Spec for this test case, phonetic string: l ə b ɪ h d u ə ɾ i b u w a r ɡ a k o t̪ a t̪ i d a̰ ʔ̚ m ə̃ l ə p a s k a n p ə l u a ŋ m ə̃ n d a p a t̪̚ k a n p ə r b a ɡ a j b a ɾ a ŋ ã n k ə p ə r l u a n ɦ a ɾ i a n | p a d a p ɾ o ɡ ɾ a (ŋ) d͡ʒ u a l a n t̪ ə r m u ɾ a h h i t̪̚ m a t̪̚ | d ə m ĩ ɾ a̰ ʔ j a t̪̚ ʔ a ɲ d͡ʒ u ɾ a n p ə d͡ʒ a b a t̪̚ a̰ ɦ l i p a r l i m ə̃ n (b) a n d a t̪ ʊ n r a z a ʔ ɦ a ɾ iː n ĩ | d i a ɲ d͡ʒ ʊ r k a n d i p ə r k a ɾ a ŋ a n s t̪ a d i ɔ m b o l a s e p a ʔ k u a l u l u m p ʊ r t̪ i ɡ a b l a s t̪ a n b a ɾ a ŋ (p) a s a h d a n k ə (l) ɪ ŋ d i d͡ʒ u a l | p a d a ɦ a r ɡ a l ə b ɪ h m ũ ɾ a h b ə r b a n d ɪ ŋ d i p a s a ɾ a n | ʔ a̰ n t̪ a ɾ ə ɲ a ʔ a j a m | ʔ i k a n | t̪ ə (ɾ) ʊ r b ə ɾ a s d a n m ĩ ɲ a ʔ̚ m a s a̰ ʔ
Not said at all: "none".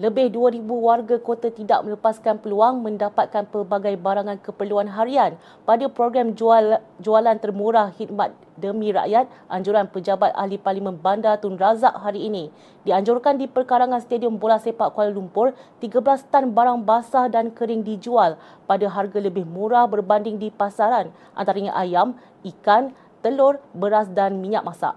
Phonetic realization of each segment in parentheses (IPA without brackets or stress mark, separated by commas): m, b, b, ɾ, l